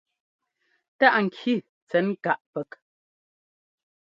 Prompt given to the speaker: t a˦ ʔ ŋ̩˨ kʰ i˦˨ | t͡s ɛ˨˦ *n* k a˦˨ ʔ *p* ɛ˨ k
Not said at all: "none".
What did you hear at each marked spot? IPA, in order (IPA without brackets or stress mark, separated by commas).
n, p